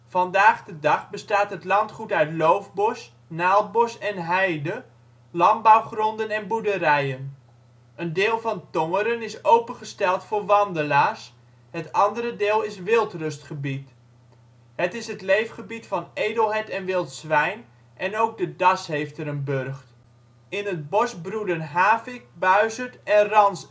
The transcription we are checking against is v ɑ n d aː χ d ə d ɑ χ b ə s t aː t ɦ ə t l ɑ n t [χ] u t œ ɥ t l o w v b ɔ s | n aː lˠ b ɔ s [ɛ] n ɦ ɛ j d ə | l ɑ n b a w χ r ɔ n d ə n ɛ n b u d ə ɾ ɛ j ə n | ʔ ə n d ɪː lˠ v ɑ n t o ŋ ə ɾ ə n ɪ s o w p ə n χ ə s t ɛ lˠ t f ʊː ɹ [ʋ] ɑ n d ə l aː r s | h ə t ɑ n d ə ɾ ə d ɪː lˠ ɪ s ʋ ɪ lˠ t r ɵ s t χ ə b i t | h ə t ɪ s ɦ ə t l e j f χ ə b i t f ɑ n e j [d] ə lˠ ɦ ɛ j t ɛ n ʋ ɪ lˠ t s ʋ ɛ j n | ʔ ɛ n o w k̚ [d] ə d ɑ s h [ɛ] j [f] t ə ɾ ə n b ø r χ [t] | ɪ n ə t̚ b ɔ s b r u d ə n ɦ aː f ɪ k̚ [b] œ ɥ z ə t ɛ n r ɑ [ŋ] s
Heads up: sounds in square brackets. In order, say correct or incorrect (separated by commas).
correct, correct, correct, correct, correct, incorrect, correct, correct, correct, incorrect